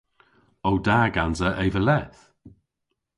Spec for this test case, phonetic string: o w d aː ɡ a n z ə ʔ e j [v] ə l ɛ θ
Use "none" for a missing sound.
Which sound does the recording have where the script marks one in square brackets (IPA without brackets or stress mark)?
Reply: v